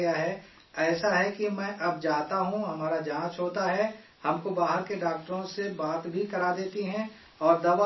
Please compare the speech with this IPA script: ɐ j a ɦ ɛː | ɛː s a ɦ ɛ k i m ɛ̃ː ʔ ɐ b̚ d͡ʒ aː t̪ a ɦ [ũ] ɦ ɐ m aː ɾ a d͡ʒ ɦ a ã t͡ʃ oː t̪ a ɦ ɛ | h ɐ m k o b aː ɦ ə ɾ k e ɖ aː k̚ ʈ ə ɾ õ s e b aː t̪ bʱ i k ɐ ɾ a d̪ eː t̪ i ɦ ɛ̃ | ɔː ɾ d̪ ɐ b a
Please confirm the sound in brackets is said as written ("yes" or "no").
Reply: yes